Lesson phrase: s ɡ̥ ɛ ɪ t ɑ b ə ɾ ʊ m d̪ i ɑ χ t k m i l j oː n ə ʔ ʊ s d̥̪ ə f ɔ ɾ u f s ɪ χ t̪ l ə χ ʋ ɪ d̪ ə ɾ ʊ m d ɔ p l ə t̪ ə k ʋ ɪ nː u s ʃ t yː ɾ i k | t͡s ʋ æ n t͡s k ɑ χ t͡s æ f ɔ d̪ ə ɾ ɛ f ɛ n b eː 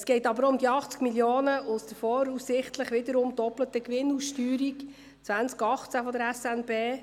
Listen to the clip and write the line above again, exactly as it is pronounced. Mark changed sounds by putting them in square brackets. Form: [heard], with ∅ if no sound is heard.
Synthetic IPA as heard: s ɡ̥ ɛ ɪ t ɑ b ə ɾ ʊ m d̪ i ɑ χ [t͡s] k m i l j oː n ə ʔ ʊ s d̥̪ ə f ɔ ɾ u [s] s ɪ χ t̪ l ə χ ʋ ɪ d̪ ə ɾ ʊ m d ɔ p l ə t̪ ə k ʋ ɪ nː u s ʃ t yː ɾ i k | t͡s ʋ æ n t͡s k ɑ χ t͡s æ f ɔ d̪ ə ɾ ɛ [s] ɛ n b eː